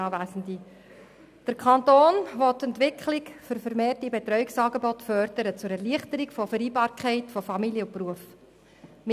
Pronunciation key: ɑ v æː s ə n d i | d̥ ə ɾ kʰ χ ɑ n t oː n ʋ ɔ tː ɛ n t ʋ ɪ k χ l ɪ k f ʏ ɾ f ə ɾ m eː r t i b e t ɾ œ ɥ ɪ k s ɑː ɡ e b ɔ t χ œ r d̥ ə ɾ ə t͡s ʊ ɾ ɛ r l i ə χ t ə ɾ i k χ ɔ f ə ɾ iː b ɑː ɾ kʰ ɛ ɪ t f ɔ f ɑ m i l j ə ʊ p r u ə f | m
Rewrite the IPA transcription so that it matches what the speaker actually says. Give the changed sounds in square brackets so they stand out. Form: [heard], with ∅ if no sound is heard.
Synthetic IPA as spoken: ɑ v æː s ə n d i | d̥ ə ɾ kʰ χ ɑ n t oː n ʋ ɔ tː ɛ n t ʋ ɪ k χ l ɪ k f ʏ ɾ f ə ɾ m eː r t i b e t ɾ œ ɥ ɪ k s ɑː ɡ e b ɔ t [f] œ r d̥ ə ɾ ə t͡s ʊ ɾ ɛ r l i ə χ t ə ɾ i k [f] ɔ f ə ɾ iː b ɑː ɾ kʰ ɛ ɪ t f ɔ f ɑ m i l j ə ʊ p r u ə f | m